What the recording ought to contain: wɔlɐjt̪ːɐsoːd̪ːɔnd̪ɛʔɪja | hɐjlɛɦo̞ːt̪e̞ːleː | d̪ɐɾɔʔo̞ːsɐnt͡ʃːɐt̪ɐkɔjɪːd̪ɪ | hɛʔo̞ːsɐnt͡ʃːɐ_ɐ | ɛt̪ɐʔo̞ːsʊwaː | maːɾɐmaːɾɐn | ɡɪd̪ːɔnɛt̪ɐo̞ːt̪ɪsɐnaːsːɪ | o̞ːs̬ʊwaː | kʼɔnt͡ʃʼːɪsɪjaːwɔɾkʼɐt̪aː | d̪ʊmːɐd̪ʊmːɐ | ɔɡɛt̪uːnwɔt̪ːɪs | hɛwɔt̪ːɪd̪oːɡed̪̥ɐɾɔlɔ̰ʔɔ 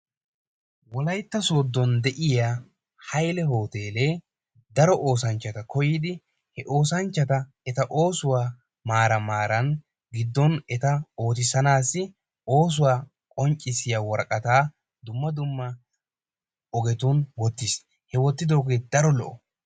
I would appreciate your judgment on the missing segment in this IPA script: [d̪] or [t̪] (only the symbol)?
t̪